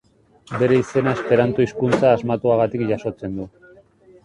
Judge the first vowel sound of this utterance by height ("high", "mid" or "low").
mid